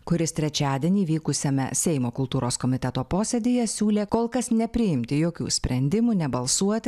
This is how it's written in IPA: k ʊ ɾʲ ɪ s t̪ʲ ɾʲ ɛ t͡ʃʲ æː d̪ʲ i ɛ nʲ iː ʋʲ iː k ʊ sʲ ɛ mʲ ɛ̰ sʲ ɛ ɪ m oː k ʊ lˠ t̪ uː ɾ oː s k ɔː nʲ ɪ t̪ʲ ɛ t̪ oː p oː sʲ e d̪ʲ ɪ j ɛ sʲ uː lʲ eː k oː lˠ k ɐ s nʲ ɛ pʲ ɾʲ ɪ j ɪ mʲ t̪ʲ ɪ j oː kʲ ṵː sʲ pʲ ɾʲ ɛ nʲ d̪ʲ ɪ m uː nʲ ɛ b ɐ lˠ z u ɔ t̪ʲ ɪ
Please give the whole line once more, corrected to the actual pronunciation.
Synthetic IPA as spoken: k ʊ ɾʲ ɪ s t̪ʲ ɾʲ ɛ t͡ʃʲ æː d̪ʲ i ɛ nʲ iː ʋʲ iː k ʊ sʲ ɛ mʲ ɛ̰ sʲ ɛ ɪ m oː k ʊ lˠ t̪ uː ɾ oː s k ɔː mʲ ɪ t̪ʲ ɛ t̪ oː p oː sʲ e d̪ʲ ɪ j ɛ sʲ uː lʲ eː k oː lˠ k ɐ s nʲ ɛ pʲ ɾʲ ɪ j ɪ mʲ t̪ʲ ɪ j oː kʲ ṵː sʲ pʲ ɾʲ ɛ nʲ d̪ʲ ɪ m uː nʲ ɛ b ɐ lˠ s u ɔ t̪ʲ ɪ

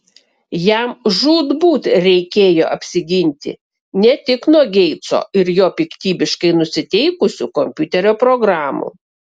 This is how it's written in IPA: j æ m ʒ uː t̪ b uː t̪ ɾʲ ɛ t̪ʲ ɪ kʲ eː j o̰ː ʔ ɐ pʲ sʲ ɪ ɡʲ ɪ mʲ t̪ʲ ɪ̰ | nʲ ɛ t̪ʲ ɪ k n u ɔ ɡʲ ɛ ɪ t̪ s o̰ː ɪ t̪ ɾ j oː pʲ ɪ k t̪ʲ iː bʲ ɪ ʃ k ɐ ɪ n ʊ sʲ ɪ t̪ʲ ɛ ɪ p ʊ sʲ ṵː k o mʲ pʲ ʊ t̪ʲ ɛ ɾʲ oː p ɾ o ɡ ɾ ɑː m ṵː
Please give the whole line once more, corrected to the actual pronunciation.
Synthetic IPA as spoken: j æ m ʒ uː d̪ b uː t̪ ɾʲ ɛ ɪ kʲ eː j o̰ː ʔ ɐ pʲ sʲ ɪ ɡʲ ɪ nʲ t̪ʲ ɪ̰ | nʲ ɛ t̪ʲ ɪ k n u ɔ ɡʲ ɛ ɪ t̪ s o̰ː ɪ ɾ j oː pʲ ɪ k t̪ʲ iː bʲ ɪ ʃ k ɐ ɪ n ʊ sʲ ɪ t̪ʲ ɛ ɪ k ʊ sʲ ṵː k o mʲ pʲ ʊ t̪ʲ ɛ ɾʲ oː p ɾ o ɡ ɾ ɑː m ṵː

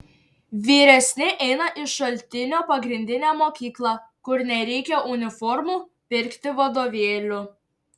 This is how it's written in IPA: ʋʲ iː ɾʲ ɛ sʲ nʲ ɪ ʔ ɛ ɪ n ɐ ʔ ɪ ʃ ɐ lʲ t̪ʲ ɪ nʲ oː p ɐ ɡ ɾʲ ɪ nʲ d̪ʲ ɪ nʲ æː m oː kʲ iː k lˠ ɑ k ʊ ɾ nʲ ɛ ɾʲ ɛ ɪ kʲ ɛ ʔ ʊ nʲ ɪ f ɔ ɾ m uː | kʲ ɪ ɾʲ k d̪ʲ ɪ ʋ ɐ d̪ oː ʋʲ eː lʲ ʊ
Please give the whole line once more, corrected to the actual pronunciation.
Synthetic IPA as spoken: ʋʲ iː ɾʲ ɛ sʲ nʲ ɪ ʔ ɛ ɪ n ɐ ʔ ɪ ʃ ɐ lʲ t̪ʲ ɪ nʲ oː p ɐ ɡ ɾʲ ɪ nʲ d̪ʲ ɪ nʲ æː m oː kʲ iː k lˠ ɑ k ʊ ɾ nʲ ɛ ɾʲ ɛ ɪ kʲ ɛ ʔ ʊ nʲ ɪ f ɔ ɾ m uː | pʲ ɪ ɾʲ k t̪ʲ ɪ ʋ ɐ d̪ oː ʋʲ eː lʲ ʊ

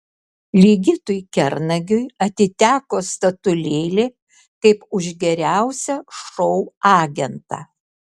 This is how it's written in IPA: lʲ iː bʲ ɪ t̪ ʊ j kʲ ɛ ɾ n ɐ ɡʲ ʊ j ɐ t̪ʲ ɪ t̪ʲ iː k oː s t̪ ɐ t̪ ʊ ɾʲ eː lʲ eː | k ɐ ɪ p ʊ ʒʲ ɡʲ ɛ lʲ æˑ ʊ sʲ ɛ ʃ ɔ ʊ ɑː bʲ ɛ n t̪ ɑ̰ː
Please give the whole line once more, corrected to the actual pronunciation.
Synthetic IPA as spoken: lʲ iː ɡʲ ɪ t̪ ʊ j kʲ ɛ ɾ n ɐ ɡʲ ʊ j ɐ t̪ʲ ɪ t̪ʲ æː k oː s t̪ ɐ t̪ ʊ lʲ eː lʲ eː | k ɐ ɪ p ʊ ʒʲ ɡʲ ɛ ɾʲ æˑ ʊ sʲ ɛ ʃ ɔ ʊ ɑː ɡʲ ɛ n t̪ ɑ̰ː

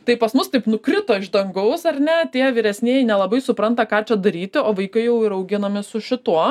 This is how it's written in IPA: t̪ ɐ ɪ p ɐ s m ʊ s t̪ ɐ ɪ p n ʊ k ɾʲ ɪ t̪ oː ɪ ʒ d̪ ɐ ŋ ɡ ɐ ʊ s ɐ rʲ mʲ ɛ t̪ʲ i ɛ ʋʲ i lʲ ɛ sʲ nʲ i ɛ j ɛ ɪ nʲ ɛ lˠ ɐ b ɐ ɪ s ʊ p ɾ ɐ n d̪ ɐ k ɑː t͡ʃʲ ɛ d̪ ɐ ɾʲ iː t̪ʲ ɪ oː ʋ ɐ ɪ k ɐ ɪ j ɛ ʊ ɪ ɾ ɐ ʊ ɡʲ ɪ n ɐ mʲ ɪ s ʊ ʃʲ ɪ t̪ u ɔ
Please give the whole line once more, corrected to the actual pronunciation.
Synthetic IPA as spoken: t̪ ɐ ɪ p ɐ s m ʊ s t̪ ɐ ɪ p n ʊ k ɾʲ ɪ t̪ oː ɪ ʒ d̪ ɐ ŋ ɡ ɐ ʊ s ɐ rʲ nʲ ɛ t̪ʲ i ɛ ʋʲ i ɾʲ ɛ sʲ nʲ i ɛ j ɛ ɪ nʲ ɛ lˠ ɐ b ɐ ɪ s ʊ p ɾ ɐ n t̪ ɐ k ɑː t͡ʃʲ ɛ d̪ ɐ ɾʲ iː t̪ʲ ɪ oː ʋ ɐ ɪ k ɐ ɪ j ɛ ʊ ɪ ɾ ɐ ʊ ɡʲ ɪ n ɐ mʲ ɪ s ʊ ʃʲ ɪ t̪ u ɔ

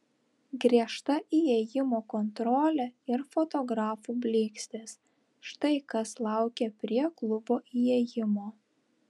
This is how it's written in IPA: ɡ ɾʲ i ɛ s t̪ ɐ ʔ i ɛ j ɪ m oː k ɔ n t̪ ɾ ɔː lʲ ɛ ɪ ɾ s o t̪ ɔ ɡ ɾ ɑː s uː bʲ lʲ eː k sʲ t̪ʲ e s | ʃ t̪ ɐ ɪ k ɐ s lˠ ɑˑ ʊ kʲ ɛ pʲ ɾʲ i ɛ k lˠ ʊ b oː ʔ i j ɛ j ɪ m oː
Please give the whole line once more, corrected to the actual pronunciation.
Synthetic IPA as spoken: ɡ ɾʲ i ɛ ʃ t̪ ɐ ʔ i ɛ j ɪ m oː k ɔ n t̪ ɾ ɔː lʲ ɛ ɪ ɾ f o t̪ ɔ ɡ ɾ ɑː f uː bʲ lʲ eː k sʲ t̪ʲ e s | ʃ t̪ ɐ ɪ k ɐ s lˠ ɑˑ ʊ kʲ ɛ pʲ ɾʲ i ɛ k lˠ ʊ b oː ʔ i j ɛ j ɪ m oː

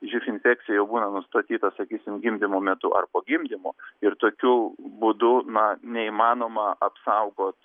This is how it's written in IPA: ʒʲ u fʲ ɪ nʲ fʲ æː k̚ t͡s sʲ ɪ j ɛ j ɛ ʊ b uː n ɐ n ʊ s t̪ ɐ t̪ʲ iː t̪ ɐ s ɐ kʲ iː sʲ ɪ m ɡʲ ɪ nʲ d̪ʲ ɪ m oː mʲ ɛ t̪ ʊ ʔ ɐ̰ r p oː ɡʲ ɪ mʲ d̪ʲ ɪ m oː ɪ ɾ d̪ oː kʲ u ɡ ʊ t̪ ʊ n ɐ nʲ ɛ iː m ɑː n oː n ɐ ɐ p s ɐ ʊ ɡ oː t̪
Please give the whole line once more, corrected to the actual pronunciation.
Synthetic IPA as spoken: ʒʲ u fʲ ɪ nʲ fʲ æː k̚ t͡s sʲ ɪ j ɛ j ɛ ʊ b uː n ɐ n ʊ s t̪ ɐ t̪ʲ iː t̪ ɐ s ɐ kʲ iː sʲ ɪ m ɡʲ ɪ mʲ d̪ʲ ɪ m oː mʲ ɛ t̪ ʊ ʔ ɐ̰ r p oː ɡʲ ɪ mʲ d̪ʲ ɪ m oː ɪ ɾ t̪ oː kʲ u b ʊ d̪ ʊ n ɐ nʲ ɛ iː m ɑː n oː m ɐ ɐ p s ɐ ʊ ɡ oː t̪

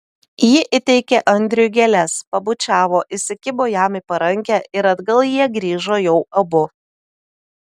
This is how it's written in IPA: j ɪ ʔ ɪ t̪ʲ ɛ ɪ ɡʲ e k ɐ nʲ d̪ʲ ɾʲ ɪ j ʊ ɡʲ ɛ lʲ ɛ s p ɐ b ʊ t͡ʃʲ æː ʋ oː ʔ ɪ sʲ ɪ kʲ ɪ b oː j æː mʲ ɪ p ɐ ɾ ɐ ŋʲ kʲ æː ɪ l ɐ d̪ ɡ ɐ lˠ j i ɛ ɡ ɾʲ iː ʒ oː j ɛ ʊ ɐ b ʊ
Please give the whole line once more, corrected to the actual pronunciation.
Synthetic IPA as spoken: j ɪ ʔ ɪ t̪ʲ ɛ ɪ kʲ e ʔ ɐ nʲ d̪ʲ ɾʲ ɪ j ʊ ɡʲ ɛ lʲ ɛ s p ɐ b ʊ t͡ʃʲ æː ʋ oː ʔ ɪ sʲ ɪ kʲ ɪ b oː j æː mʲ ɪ p ɐ ɾ ɐ ŋʲ kʲ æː ɪ ɾ ɐ d̪ ɡ ɐ lˠ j i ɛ ɡ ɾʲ iː ʒ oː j ɛ ʊ ɐ b ʊ

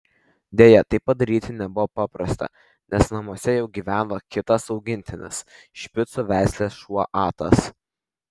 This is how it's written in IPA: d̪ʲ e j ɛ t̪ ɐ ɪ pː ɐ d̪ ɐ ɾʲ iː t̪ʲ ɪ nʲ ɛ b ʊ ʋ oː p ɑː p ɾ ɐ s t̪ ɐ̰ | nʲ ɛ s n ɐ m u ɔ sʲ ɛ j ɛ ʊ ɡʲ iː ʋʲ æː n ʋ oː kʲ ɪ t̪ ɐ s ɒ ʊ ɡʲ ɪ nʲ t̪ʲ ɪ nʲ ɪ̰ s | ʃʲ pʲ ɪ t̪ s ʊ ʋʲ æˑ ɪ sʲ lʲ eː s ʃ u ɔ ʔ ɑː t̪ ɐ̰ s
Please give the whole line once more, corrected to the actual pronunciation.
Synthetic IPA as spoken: d̪ʲ e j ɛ t̪ ɐ ɪ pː ɐ d̪ ɐ ɾʲ iː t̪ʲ ɪ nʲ ɛ b ʊ ʋ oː p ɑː p ɾ ɐ s t̪ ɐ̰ | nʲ ɛ s n ɐ m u ɔ sʲ ɛ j ɛ ʊ ɡʲ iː ʋʲ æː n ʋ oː kʲ ɪ t̪ ɐ s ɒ ʊ ɡʲ ɪ nʲ t̪ʲ ɪ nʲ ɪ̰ s | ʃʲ pʲ ɪ t̪ s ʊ ʋʲ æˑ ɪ sʲ lʲ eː s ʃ u ɔ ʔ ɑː t̪ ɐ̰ s

